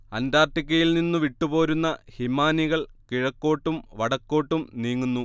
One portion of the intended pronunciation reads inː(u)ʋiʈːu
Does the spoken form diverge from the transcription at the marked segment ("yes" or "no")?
no